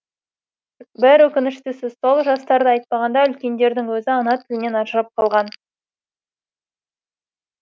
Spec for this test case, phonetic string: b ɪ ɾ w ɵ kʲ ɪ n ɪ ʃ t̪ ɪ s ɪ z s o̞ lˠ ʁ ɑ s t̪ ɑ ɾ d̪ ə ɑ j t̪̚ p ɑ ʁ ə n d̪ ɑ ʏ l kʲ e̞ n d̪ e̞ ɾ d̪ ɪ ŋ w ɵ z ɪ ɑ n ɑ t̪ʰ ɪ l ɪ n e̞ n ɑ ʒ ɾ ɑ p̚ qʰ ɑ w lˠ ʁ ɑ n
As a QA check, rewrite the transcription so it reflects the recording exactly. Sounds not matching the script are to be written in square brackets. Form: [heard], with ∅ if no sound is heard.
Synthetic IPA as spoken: b ɪ ɾ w ɵ kʲ ɪ n ɪ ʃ t̪ ɪ s ɪ z s o̞ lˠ [ʒ] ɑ s t̪ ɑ ɾ d̪ ə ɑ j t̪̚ p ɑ ʁ [ɑ] n d̪ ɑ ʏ l kʲ e̞ n d̪ e̞ ɾ d̪ ɪ ŋ w ɵ z ɪ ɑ n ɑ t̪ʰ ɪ l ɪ n e̞ n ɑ ʒ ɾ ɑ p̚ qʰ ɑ [∅] lˠ ʁ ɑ n

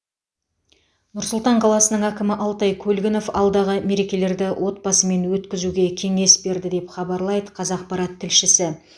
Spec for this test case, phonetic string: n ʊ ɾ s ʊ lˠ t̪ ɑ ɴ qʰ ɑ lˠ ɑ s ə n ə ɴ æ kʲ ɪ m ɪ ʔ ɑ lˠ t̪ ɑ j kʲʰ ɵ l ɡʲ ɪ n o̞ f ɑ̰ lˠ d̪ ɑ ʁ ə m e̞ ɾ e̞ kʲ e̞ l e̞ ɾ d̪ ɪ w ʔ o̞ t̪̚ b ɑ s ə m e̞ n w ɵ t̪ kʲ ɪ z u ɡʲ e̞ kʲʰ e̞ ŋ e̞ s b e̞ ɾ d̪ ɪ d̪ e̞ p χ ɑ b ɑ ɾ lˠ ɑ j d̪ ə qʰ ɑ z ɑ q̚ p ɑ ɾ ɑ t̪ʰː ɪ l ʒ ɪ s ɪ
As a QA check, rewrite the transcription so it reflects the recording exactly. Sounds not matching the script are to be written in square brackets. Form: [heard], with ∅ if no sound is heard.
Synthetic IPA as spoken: n ʊ ɾ s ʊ lˠ t̪ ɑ ɴ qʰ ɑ lˠ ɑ s ə n ə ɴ æ kʲ ɪ m ɪ ʔ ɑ lˠ t̪ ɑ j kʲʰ ɵ l ɡʲ ɪ n o̞ f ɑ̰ lˠ d̪ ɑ ʁ ə m e̞ ɾ e̞ kʲ e̞ l e̞ ɾ d̪ ɪ w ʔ o̞ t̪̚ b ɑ s ə m e̞ n w ɵ t̪ kʲ ɪ z u ɡʲ e̞ kʲʰ e̞ ŋ e̞ s b e̞ ɾ d̪ ɪ d̪ e̞ p χ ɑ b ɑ ɾ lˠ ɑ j d̪ ə qʰ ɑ z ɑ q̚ p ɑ ɾ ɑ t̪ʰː ɪ l [ʃ] ɪ s ɪ

